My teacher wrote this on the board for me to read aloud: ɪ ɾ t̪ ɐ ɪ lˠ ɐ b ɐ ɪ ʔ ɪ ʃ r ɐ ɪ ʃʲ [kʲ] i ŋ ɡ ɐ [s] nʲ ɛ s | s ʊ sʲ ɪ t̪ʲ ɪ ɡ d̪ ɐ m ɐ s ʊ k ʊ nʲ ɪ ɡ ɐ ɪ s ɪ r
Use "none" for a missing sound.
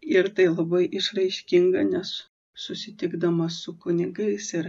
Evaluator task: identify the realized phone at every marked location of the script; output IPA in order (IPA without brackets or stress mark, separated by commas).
kʲ, none